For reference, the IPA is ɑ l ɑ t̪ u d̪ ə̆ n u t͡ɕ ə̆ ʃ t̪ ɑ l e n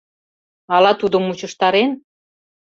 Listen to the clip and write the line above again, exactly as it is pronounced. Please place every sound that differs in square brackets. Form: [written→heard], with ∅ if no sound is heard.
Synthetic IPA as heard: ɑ l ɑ t̪ u d̪ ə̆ [n→m] u t͡ɕ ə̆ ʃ t̪ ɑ [l→ɾ] e n